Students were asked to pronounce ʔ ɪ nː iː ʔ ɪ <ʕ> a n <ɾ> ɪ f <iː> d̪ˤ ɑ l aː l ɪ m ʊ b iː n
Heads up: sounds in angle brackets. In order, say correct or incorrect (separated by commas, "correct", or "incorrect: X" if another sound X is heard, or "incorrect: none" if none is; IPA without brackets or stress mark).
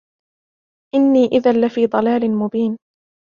incorrect: ð, incorrect: l, correct